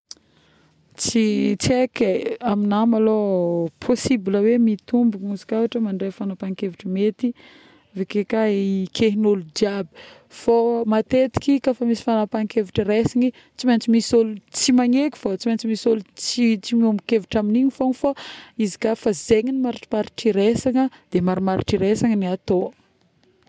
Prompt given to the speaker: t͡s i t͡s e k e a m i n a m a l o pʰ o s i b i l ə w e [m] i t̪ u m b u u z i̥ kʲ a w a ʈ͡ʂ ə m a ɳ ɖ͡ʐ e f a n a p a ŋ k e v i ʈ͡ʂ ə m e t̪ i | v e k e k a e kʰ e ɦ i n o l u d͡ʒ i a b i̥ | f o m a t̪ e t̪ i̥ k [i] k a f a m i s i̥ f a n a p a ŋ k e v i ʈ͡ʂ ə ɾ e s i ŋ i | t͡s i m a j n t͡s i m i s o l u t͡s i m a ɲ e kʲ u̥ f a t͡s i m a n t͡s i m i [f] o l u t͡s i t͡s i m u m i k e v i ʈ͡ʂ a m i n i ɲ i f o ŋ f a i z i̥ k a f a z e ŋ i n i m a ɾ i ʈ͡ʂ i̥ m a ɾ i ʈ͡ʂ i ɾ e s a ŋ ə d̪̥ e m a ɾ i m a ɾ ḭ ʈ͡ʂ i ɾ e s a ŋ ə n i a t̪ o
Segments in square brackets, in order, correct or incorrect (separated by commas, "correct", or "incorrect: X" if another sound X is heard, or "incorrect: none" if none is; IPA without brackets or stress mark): correct, correct, incorrect: s